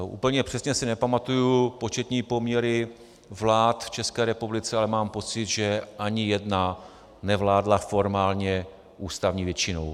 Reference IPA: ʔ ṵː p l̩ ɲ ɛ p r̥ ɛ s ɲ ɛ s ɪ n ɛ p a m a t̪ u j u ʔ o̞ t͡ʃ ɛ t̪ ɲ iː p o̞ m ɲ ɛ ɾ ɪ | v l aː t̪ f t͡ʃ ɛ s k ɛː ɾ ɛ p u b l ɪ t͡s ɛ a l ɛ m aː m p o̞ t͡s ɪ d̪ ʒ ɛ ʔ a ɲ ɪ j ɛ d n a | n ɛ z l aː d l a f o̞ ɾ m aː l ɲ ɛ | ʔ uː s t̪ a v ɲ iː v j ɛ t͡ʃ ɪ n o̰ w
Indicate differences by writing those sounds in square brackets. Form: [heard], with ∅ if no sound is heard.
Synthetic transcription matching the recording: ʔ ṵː p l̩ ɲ ɛ p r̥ ɛ s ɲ ɛ s ɪ n ɛ p a m a t̪ u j u [p] o̞ t͡ʃ ɛ t̪ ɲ iː p o̞ m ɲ ɛ ɾ ɪ | v l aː t̪ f t͡ʃ ɛ s k ɛː ɾ ɛ p u b l ɪ t͡s ɛ a l ɛ m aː m p o̞ t͡s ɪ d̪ ʒ ɛ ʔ a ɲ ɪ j ɛ d n a | n ɛ [v] l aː d l a f o̞ ɾ m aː l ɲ ɛ | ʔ uː s t̪ a v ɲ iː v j ɛ t͡ʃ ɪ n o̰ w